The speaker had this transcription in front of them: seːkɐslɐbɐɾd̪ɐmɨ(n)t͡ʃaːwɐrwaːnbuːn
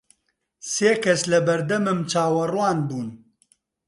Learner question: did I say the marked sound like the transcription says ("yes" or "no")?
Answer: no